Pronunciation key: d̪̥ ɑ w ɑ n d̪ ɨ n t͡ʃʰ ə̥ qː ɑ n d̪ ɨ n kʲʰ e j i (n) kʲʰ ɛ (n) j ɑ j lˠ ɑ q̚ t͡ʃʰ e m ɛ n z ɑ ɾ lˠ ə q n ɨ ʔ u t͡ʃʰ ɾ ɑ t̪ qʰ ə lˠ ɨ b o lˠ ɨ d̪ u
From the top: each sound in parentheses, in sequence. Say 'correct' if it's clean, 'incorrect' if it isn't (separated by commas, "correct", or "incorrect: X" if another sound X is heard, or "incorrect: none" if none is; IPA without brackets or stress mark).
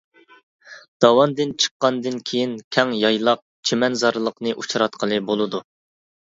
correct, incorrect: ŋ